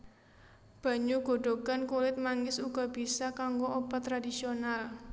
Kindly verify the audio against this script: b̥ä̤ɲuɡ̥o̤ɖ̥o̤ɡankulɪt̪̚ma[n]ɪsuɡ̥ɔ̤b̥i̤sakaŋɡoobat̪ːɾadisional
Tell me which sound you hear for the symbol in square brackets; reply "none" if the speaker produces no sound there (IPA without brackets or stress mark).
ŋ